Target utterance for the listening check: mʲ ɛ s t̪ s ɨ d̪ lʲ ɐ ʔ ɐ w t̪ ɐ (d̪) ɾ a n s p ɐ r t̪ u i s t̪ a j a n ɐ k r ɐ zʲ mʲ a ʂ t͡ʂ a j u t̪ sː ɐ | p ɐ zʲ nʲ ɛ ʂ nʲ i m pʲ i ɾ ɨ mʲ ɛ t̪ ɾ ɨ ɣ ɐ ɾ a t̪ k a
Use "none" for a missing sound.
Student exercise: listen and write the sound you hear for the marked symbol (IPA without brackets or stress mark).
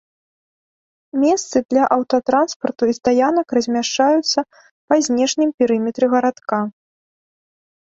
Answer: t̪